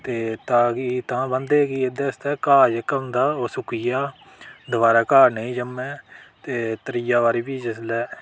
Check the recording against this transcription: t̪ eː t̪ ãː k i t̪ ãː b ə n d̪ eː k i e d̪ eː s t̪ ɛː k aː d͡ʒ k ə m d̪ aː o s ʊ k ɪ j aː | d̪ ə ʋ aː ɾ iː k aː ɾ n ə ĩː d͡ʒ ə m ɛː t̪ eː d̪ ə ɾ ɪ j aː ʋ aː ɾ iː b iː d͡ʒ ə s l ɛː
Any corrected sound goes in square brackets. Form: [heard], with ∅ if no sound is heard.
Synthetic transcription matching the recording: t̪ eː t̪ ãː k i t̪ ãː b ə n d̪ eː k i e d̪ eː s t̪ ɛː k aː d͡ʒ k ə m d̪ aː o s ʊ k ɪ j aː | d̪ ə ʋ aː ɾ [aː] k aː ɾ n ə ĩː d͡ʒ ə m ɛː t̪ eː [t̪] ə ɾ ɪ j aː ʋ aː ɾ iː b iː d͡ʒ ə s l ɛː

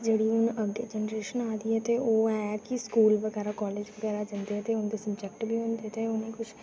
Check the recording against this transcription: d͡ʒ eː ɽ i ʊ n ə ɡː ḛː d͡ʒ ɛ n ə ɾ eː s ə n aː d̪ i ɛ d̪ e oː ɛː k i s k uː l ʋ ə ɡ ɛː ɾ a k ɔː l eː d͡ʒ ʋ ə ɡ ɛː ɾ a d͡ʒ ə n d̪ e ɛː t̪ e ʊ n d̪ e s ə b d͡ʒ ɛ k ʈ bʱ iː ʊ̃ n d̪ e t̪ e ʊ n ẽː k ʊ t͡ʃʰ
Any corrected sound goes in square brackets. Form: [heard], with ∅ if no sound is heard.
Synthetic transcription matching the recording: d͡ʒ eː ɽ i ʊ n ə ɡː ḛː d͡ʒ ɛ n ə ɾ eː [ʃ] ə n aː d̪ i ɛ [t̪] e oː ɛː k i s k uː l ʋ ə ɡ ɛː ɾ a k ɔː l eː d͡ʒ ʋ ə ɡ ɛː ɾ a d͡ʒ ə n d̪ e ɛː t̪ e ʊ n d̪ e s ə b d͡ʒ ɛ k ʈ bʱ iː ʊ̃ n d̪ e t̪ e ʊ n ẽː k ʊ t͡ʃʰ

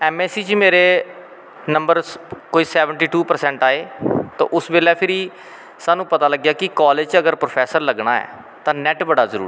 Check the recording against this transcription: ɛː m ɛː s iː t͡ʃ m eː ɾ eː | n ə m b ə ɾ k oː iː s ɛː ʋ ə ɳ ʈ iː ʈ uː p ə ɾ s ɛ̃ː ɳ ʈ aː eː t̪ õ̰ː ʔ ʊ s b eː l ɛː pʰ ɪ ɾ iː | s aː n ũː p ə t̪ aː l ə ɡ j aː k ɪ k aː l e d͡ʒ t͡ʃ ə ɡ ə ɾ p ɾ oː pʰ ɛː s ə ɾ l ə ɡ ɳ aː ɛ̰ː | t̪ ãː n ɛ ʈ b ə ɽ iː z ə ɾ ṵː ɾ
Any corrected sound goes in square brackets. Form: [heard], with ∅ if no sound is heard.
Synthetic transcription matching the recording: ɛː m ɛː s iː t͡ʃ m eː ɾ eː | n ə m b ə ɾ k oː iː s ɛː ʋ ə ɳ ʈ iː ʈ uː p ə ɾ s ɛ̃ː ɳ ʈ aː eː t̪ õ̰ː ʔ ʊ s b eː l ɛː pʰ ɪ ɾ iː | s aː n ũː p ə t̪ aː l ə ɡ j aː k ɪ k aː l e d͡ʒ t͡ʃ ə ɡ ə ɾ p ɾ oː pʰ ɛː s ə ɾ l ə ɡ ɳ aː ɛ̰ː | t̪ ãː n ɛ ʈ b ə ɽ [aː] z ə ɾ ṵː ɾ

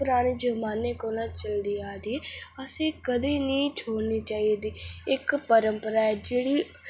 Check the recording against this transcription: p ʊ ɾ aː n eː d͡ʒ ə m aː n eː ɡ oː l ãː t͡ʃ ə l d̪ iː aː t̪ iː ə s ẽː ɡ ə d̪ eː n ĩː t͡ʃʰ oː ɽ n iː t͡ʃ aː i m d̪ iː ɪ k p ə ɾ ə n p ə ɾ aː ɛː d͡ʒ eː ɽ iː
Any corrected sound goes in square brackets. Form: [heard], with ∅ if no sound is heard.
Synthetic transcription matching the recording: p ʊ ɾ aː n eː d͡ʒ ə m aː n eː [k] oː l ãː t͡ʃ ə l d̪ iː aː [d̪] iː ə s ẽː [k] ə d̪ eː n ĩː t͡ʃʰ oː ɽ n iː t͡ʃ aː i [∅] d̪ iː ɪ k p ə ɾ ə [m] p ə ɾ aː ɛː d͡ʒ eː ɽ iː

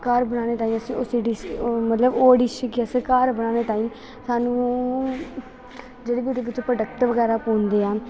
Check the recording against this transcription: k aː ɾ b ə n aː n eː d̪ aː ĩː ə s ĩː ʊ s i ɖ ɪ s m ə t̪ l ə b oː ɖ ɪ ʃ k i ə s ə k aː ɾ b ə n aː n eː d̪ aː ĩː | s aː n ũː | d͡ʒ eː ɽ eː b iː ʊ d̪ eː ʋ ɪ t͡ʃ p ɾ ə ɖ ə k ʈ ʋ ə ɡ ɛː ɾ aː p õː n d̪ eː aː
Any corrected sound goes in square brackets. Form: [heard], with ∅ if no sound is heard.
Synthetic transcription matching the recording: k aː ɾ b ə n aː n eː [t̪] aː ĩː ə s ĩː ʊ s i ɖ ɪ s m ə t̪ l ə b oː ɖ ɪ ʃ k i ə s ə k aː ɾ b ə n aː n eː [t̪] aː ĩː | s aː n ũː | d͡ʒ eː ɽ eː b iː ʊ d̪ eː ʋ ɪ t͡ʃ p ɾ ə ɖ ə k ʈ ʋ ə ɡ ɛː ɾ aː p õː n d̪ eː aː

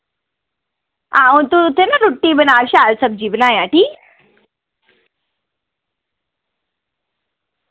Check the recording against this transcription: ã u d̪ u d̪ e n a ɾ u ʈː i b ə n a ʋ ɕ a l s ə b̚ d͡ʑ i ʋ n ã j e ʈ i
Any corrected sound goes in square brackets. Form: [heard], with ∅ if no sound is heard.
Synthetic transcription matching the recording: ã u [t̪] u [t̪] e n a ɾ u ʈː i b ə n a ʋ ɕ a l s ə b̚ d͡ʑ i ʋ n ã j [a] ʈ i

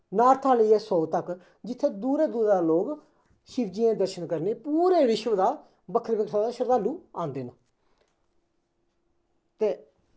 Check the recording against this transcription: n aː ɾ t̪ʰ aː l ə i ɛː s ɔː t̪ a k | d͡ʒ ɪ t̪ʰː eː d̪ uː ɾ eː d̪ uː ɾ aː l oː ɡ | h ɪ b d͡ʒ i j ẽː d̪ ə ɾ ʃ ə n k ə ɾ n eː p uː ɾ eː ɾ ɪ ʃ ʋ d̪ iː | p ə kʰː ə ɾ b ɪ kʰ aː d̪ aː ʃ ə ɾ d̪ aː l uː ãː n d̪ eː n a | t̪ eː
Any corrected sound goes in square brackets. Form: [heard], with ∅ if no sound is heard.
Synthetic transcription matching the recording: n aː ɾ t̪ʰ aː l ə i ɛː s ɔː t̪ [ə] k | d͡ʒ ɪ t̪ʰː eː d̪ uː ɾ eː d̪ uː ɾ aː l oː ɡ | [ʃ] ɪ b d͡ʒ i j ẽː d̪ ə ɾ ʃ ə n k ə ɾ n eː p uː ɾ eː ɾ ɪ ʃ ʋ d̪ [aː] | [b] ə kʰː ə ɾ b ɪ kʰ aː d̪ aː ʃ ə ɾ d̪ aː l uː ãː n d̪ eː n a | t̪ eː

